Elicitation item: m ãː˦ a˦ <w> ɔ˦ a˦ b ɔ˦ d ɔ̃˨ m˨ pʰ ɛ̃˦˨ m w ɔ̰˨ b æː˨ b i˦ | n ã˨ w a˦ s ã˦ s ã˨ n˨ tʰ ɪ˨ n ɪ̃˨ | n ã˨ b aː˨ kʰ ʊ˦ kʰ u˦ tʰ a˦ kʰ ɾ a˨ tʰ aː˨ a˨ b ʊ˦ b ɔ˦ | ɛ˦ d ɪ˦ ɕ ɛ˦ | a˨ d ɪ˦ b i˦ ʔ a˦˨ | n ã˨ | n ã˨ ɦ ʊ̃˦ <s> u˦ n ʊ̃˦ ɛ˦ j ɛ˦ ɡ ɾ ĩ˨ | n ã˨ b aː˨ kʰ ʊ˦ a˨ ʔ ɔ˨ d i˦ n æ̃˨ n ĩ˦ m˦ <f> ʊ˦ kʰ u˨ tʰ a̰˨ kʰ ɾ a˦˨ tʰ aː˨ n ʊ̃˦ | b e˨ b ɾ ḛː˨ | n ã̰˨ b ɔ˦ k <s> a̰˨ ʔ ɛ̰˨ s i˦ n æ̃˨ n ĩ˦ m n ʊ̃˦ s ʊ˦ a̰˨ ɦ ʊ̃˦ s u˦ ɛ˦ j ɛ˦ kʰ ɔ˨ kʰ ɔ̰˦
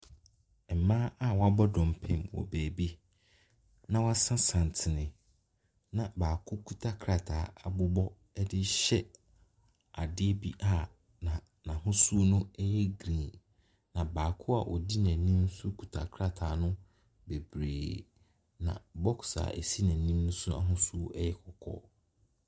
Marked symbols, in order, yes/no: yes, yes, no, yes

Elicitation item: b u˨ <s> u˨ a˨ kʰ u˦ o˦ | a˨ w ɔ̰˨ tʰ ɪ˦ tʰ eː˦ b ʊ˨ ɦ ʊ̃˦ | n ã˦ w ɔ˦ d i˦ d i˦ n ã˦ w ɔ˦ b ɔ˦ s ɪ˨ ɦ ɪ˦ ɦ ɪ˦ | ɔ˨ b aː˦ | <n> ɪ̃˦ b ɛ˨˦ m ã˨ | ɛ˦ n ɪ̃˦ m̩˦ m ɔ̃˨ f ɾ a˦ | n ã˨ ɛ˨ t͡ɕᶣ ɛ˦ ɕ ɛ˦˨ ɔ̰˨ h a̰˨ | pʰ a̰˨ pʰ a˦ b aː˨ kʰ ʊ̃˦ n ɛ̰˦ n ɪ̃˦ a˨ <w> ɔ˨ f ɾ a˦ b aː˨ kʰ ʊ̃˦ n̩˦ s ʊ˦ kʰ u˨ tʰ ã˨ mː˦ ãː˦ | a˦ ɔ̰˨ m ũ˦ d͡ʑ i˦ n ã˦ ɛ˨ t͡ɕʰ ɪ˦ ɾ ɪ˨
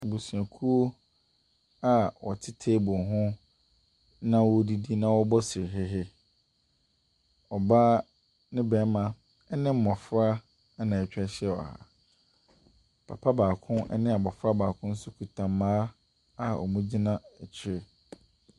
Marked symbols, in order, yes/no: yes, yes, no

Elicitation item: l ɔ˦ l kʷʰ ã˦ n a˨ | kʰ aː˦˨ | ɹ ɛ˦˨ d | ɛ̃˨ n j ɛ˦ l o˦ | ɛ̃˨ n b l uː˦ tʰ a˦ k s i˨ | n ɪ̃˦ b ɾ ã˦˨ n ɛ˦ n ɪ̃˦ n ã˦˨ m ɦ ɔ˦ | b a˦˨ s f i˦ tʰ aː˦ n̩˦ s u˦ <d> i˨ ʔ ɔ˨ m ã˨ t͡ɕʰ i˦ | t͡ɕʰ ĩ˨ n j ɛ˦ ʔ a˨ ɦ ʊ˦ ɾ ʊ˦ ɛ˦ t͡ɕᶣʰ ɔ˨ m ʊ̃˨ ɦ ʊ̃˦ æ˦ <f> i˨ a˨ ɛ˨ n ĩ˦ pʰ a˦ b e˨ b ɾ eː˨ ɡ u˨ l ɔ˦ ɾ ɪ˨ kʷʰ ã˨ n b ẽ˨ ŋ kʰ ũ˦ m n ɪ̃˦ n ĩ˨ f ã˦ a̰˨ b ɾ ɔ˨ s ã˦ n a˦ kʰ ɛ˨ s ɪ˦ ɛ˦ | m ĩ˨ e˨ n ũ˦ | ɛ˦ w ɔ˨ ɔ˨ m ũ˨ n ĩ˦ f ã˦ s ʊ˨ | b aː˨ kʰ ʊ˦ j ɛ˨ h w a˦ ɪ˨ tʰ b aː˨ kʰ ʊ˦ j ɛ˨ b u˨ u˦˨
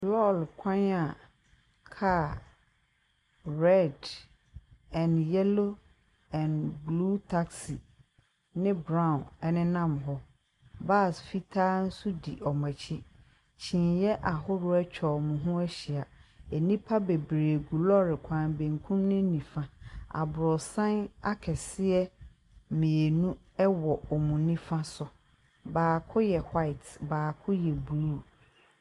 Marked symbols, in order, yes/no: yes, no

